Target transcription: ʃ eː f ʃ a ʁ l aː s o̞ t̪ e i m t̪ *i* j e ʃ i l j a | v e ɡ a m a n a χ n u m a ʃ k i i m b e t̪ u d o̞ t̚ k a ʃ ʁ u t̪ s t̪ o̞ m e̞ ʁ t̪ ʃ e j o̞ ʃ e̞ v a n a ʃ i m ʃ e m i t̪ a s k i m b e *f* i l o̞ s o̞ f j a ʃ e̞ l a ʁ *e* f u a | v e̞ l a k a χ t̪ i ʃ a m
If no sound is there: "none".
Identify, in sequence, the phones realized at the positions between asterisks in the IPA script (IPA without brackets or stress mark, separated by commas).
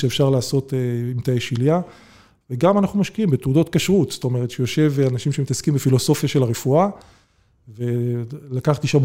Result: a, f, e